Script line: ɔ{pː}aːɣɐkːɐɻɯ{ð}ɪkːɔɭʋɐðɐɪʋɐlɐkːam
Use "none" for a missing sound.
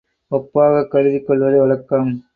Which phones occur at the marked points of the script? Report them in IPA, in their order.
pː, ð

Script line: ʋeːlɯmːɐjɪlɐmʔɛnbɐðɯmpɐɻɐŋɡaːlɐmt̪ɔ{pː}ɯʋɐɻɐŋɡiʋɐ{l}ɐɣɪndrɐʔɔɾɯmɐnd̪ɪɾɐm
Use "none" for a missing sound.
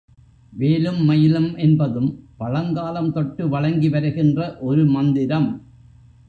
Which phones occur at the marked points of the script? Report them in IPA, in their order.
ʈː, ɾ

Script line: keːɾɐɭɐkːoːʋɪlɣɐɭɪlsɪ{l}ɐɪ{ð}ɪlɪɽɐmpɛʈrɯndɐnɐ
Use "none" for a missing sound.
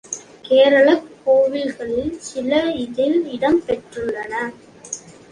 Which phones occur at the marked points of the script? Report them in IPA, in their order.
l, ð

